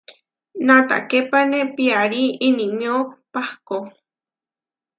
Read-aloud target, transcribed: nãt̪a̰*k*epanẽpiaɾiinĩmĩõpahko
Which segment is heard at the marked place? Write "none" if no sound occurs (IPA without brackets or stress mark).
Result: k